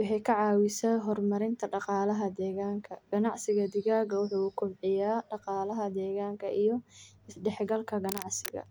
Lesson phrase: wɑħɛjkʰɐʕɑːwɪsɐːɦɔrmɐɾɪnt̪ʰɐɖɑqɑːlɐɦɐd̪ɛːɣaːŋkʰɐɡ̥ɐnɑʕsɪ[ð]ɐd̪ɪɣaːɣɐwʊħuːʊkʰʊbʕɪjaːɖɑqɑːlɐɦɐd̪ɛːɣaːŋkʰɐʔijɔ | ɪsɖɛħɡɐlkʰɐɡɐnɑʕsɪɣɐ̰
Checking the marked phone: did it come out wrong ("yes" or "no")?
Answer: yes